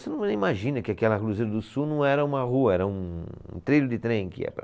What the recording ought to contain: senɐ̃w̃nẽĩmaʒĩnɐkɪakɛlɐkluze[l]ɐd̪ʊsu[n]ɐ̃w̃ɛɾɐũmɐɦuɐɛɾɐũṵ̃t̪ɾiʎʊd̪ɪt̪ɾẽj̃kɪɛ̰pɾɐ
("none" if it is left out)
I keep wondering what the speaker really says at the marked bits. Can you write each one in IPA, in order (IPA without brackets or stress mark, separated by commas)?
ɾ, n